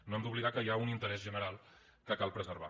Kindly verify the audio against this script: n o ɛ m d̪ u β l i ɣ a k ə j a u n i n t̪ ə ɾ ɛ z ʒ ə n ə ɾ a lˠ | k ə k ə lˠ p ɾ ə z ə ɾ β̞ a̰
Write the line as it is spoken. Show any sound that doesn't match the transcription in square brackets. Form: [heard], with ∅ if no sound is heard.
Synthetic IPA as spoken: n o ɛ m d̪ u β l i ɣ a k ə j a u n i n t̪ ə ɾ ɛ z ʒ ə n ə ɾ a lˠ | k ə k [a] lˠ p ɾ ə z ə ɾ β̞ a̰